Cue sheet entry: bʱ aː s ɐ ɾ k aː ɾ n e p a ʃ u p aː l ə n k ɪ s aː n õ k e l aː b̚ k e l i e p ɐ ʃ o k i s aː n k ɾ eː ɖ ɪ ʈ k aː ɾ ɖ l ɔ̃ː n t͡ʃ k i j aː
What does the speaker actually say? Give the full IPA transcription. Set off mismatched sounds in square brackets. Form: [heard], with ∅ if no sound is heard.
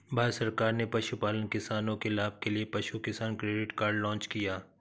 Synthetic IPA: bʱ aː s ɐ ɾ k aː ɾ n e p [ɐ] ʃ u p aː l ə n k ɪ s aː n õ k e l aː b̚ k e l i e p ɐ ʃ [u] k [ɪ] s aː n k ɾ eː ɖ ɪ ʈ k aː ɾ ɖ l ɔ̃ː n t͡ʃ k i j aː